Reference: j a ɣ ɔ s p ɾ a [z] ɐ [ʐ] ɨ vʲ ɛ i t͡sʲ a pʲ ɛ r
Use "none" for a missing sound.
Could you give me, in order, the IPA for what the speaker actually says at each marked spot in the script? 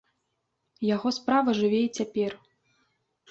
v, ʐ

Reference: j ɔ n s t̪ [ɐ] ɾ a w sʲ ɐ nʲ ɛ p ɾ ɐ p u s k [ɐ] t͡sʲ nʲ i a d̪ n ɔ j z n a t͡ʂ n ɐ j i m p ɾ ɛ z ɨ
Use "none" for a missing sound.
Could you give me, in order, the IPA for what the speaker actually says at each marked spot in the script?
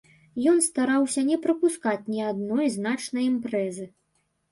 a, a

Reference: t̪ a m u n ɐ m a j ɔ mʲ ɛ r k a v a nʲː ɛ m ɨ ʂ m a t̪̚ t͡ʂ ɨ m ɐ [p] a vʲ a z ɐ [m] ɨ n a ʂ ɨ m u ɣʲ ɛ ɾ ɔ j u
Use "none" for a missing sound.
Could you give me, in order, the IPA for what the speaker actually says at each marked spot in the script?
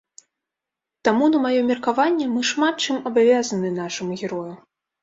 b, n

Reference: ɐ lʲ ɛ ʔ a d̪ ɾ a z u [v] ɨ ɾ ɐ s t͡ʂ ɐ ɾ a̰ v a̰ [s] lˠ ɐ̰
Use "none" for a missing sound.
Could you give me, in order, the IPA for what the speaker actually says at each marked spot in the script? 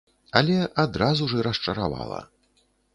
ʐ, none

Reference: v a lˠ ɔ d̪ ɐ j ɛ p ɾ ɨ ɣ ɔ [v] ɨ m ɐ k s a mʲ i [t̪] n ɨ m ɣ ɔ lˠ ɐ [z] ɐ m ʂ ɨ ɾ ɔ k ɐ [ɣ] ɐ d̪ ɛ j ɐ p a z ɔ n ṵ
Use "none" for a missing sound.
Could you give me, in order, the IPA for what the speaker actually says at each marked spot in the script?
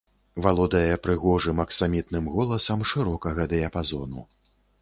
ʐ, t̪, s, ɣ

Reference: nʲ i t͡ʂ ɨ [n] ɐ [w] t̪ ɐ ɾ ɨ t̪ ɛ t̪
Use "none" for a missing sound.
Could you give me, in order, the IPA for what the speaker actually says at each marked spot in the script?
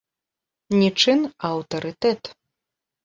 n, w

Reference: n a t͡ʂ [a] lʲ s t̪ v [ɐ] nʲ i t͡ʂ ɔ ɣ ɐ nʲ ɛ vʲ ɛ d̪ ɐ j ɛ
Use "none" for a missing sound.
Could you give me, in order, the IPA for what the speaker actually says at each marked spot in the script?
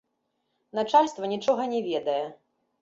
a, ɐ

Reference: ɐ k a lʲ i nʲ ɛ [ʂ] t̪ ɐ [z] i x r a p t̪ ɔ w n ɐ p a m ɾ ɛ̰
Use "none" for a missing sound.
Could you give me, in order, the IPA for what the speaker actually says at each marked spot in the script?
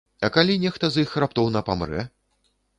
x, z

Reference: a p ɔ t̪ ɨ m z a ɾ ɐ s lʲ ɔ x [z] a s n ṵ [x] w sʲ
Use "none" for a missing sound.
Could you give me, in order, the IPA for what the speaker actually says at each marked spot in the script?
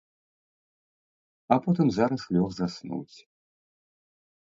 z, none

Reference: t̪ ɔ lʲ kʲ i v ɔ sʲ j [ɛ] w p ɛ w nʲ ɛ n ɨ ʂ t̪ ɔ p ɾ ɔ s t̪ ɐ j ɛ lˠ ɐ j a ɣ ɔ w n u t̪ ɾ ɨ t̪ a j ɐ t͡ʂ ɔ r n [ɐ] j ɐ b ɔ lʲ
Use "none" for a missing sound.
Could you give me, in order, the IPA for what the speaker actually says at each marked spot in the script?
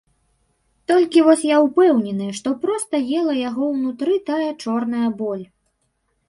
a, ɐ

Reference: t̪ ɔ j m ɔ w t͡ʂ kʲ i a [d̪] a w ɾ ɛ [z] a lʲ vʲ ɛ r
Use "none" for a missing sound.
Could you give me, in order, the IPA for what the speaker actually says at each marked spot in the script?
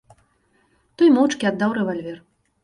d̪ː, v

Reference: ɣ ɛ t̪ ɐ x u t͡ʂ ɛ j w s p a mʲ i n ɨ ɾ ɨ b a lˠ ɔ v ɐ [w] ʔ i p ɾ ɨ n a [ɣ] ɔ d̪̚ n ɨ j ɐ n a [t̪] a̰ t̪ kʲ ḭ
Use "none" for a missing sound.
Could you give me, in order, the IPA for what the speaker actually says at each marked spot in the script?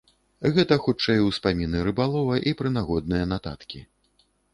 none, ɣ, t̪

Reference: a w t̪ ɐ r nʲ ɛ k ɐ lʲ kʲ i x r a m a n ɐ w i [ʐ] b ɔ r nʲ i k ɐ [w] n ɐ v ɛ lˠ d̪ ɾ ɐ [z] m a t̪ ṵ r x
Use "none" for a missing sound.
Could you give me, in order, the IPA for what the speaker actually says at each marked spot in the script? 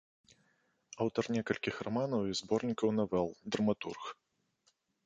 z, w, none

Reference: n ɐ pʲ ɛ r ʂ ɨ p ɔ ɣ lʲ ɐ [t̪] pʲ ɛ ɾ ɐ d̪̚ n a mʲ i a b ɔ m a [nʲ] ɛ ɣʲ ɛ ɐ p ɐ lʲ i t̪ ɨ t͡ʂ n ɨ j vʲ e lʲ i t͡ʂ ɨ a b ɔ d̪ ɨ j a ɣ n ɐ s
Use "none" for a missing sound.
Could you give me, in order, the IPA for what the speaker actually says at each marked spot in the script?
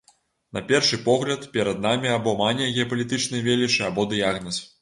t̪, nʲ

